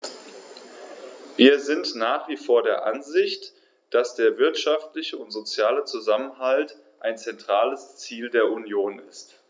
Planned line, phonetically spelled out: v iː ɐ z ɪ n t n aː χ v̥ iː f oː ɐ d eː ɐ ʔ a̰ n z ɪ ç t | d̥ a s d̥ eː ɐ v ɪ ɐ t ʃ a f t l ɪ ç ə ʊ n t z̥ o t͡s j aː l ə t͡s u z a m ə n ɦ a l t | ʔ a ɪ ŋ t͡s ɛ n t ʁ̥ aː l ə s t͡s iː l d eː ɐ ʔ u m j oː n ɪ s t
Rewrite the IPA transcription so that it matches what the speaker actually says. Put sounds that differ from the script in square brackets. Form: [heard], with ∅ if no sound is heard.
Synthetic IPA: v iː ɐ z ɪ n t n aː χ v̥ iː f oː ɐ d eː ɐ ʔ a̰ n z ɪ ç t | d̥ a s d̥ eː ɐ v ɪ ɐ t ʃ a f t l ɪ ç ə ʊ n t z̥ o t͡s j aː l ə t͡s u z a m ə n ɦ a l t | ʔ a ɪ [n] t͡s ɛ n t ʁ̥ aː l ə s t͡s iː l d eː ɐ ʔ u [n] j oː n ɪ s t